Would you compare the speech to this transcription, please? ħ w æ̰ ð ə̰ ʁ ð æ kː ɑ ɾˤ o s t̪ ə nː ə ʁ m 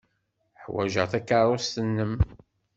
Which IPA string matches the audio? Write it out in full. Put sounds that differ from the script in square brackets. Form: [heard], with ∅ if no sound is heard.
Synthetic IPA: ħ w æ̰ [ʒ] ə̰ ʁ [θ] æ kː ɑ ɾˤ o s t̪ ə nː ə [∅] m